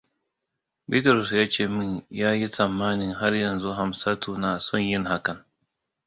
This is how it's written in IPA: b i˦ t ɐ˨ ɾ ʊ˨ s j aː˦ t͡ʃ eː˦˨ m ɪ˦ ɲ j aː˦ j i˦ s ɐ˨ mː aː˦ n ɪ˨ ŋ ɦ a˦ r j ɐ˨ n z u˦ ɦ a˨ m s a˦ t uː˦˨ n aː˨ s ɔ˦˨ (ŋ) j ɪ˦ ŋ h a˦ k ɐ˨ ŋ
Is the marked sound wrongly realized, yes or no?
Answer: yes